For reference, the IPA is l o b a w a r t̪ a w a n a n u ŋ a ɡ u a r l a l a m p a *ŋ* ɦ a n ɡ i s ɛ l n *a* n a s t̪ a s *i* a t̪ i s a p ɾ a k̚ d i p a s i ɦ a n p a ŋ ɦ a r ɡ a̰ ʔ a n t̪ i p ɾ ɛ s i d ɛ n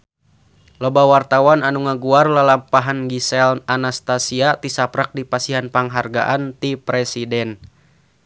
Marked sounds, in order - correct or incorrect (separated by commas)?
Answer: incorrect, correct, correct